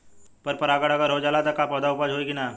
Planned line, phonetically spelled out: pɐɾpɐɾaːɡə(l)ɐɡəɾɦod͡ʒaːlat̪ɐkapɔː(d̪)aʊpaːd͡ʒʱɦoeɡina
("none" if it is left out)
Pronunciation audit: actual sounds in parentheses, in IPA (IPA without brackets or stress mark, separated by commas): ɽ, d̪